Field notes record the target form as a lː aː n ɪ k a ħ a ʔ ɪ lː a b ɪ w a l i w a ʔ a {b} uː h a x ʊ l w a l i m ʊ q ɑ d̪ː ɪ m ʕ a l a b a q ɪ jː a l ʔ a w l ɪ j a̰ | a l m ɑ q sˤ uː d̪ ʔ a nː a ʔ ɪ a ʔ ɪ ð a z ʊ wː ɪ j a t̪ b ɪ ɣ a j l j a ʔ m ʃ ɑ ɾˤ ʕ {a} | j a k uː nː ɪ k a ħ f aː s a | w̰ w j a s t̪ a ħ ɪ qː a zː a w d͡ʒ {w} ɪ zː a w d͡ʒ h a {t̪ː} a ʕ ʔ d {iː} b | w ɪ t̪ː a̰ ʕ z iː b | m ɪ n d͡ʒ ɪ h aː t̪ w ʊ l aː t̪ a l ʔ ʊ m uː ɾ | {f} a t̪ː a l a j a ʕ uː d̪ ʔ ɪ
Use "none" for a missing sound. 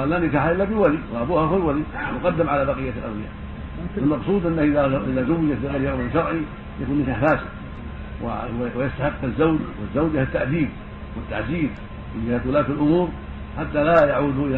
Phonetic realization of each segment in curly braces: b, i, w, t̪ː, iː, ħ

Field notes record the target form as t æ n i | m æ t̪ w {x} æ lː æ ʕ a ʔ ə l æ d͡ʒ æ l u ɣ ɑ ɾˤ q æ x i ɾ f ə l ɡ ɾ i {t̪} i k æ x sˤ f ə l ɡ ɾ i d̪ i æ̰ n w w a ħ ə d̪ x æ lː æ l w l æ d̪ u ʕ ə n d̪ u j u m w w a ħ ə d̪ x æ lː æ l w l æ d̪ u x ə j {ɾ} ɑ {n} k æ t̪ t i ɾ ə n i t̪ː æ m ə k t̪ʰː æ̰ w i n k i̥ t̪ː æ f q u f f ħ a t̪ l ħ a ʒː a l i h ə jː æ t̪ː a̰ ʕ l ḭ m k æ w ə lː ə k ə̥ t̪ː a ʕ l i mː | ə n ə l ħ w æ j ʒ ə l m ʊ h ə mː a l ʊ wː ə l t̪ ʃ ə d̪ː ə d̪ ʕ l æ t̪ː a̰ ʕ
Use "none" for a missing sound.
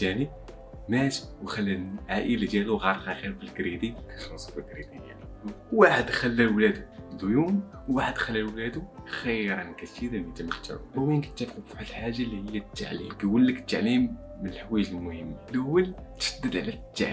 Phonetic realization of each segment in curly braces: x, d̪, ɾ, n

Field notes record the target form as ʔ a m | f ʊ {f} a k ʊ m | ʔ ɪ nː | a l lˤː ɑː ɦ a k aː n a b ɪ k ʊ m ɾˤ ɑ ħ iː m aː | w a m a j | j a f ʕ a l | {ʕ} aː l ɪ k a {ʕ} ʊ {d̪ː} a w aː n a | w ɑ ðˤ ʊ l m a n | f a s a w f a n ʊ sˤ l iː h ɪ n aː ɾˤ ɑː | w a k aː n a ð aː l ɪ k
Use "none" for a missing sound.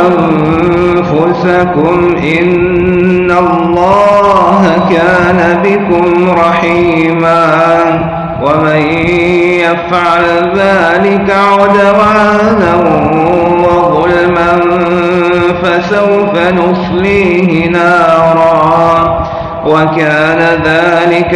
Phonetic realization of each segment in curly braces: s, ð, ʕ, d̪

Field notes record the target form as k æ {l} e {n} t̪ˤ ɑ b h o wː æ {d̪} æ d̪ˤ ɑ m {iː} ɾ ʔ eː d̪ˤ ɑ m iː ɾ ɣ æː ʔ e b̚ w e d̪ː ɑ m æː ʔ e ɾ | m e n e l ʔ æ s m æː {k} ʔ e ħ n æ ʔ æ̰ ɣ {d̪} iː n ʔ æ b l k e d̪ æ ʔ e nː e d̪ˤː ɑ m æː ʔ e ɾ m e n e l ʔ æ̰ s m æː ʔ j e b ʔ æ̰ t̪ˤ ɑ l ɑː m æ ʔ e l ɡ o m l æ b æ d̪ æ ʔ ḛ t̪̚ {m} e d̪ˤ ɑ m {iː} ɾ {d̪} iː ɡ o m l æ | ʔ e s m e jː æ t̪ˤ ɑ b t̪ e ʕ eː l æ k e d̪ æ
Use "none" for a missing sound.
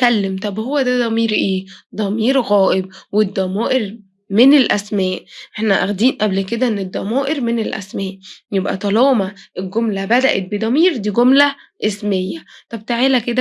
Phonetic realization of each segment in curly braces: lː, m, d̪, iː, ʔ, d̪, b, iː, d̪

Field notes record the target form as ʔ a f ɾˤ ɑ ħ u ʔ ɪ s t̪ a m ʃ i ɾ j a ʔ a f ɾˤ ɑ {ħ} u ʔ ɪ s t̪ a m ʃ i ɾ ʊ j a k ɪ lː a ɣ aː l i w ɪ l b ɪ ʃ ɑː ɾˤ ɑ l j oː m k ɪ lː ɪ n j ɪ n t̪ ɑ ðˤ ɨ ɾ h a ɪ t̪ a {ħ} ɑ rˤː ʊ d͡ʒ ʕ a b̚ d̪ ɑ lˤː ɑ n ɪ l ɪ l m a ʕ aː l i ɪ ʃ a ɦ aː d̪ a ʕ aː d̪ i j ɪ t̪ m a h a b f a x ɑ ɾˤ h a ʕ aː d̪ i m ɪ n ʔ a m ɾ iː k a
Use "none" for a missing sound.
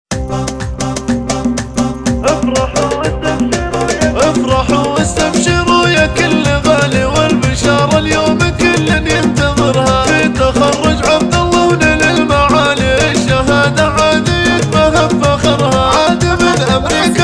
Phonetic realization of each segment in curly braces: ħ, x

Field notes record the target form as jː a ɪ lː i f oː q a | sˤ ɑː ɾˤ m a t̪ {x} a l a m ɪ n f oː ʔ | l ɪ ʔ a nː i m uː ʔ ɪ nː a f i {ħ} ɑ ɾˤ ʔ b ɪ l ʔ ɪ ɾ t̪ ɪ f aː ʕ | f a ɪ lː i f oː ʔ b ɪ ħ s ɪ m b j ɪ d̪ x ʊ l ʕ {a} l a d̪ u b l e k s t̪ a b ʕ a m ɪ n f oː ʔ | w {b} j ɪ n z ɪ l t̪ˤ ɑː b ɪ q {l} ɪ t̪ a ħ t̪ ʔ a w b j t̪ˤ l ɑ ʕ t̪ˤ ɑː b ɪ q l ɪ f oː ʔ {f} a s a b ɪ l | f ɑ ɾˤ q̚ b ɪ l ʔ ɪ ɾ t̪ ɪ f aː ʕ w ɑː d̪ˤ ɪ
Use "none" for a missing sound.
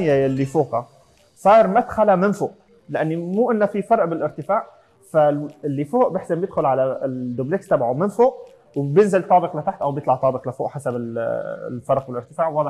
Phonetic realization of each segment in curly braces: x, f, a, b, l, ħ

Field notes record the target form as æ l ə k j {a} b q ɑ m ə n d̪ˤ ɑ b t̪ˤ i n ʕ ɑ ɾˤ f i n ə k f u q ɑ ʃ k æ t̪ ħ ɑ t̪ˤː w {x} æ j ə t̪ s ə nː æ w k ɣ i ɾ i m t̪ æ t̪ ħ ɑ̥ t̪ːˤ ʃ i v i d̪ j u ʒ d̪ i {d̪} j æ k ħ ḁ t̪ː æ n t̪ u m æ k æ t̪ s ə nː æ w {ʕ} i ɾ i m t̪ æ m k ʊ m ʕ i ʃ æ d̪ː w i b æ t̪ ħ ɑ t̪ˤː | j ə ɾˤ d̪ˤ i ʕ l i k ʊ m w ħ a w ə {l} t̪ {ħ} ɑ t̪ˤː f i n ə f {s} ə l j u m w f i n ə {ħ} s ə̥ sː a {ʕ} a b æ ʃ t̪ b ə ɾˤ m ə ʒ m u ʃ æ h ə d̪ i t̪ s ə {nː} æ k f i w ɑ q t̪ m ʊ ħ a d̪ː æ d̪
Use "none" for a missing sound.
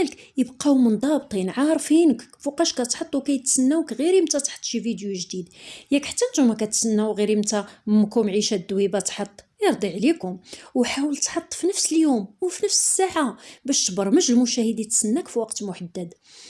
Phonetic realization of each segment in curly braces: ə, k, d̪, ɣ, l, ħ, s, f, ʕ, nː

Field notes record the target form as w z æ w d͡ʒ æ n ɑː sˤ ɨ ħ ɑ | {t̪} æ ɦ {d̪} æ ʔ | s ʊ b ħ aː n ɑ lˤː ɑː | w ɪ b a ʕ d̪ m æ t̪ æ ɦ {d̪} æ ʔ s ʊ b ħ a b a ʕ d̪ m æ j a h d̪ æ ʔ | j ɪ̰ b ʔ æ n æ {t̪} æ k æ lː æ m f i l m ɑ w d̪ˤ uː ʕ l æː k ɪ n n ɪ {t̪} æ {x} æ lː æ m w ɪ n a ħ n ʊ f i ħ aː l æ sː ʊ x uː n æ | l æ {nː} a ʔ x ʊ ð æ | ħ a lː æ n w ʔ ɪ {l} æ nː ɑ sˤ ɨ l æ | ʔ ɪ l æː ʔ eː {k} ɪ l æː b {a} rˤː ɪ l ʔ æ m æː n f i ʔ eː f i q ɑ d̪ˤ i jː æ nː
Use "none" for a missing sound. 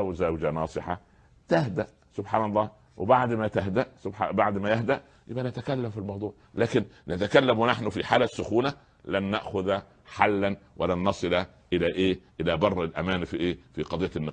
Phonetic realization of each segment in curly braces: t̪, d̪, d̪, t̪, t̪, k, nː, l, ʔ, ɑ

